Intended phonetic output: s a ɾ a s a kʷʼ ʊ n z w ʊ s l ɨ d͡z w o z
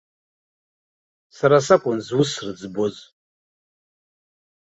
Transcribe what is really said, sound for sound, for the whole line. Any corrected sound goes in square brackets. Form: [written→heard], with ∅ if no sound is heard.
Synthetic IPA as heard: s a ɾ a s a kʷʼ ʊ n z w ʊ s [l→r] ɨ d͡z [w→b] o z